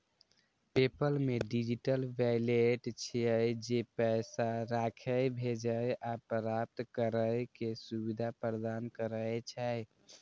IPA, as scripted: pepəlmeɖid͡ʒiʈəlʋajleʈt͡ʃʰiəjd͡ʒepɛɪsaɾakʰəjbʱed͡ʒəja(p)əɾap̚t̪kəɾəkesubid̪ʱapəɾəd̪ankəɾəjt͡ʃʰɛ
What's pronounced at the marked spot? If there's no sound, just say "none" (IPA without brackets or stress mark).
p